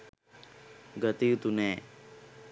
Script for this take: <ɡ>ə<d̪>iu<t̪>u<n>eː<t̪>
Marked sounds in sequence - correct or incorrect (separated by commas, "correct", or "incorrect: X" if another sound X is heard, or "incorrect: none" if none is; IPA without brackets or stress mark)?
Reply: correct, incorrect: t̪, correct, correct, incorrect: none